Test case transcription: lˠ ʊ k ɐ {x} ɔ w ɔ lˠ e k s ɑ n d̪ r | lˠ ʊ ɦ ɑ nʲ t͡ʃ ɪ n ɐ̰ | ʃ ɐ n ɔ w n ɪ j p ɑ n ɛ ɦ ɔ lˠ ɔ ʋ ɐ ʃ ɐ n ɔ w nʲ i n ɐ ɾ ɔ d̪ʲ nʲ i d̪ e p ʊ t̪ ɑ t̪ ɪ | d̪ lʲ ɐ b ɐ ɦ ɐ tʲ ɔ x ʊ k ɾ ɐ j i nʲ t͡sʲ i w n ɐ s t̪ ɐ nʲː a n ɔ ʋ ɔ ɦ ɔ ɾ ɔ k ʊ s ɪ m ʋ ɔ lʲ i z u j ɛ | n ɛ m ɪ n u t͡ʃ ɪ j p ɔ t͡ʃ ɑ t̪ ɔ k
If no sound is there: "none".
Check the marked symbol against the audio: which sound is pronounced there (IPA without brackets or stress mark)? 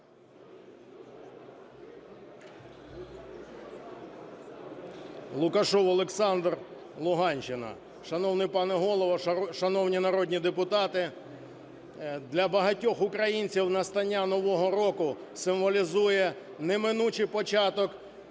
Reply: ʃ